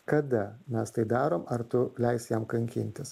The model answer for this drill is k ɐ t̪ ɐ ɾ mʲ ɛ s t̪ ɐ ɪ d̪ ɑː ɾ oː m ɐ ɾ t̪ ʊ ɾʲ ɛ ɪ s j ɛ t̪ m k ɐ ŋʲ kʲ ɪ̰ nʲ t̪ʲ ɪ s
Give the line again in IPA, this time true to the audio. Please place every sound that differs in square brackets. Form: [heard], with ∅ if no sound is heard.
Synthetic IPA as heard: k ɐ [d̪] ɐ [∅] mʲ ɛ s t̪ ɐ ɪ d̪ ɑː ɾ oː m ɐ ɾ t̪ ʊ [lʲ] ɛ ɪ s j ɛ [∅] m k ɐ ŋʲ kʲ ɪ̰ nʲ t̪ʲ ɪ s